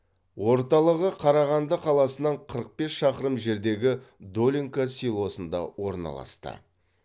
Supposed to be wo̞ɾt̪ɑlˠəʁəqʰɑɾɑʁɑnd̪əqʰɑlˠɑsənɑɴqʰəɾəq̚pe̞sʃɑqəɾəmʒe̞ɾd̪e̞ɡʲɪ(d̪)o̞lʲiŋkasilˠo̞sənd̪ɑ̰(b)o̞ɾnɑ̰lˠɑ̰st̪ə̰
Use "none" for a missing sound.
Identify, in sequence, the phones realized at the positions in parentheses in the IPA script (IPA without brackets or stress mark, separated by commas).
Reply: d̪, w